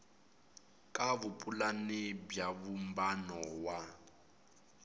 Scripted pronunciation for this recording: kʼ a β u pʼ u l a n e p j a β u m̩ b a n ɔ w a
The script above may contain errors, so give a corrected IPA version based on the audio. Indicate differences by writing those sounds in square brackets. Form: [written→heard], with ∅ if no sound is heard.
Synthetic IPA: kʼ a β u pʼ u l a n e [p→b] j a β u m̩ b a n ɔ w a